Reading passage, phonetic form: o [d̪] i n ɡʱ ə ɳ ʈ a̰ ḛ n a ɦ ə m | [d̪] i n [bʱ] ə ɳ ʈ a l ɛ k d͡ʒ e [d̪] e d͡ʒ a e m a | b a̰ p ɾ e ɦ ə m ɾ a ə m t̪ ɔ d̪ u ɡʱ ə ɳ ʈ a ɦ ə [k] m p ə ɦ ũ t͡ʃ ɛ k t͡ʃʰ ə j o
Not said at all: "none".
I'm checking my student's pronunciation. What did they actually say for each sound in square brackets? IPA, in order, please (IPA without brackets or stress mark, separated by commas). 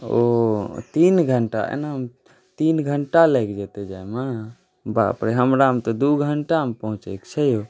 t̪, t̪, ɡʱ, t̪, none